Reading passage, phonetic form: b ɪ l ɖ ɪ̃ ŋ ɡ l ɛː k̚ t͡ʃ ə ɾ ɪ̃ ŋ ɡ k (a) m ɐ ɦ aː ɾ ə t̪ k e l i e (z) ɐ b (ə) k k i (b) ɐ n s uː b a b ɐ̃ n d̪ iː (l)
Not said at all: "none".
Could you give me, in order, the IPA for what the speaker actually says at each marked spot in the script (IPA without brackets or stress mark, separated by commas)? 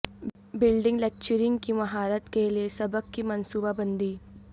i, s, ə, m, none